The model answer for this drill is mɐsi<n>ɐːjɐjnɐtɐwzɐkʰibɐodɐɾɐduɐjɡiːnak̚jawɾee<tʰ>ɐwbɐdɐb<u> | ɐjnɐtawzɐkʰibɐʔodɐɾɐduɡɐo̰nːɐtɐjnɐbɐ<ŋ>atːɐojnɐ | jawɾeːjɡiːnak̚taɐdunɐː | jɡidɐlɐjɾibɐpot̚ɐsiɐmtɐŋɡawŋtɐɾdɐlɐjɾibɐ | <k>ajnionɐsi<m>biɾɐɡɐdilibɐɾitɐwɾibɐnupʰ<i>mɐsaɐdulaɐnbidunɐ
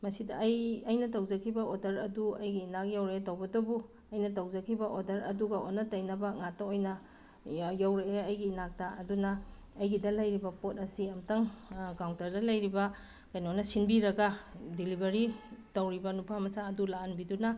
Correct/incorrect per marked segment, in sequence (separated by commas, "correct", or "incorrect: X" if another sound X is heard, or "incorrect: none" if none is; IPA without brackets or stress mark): incorrect: d, incorrect: t, correct, correct, correct, incorrect: n, incorrect: a